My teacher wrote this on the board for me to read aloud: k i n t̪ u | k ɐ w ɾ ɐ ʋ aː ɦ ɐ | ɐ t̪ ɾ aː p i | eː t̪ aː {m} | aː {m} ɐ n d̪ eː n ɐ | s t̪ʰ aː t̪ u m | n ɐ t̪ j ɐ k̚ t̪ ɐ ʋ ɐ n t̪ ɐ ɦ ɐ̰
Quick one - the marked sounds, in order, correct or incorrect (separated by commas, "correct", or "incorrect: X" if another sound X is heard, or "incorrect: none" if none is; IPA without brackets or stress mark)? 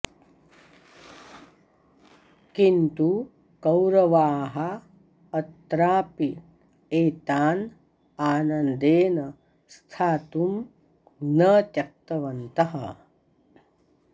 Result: incorrect: n, incorrect: n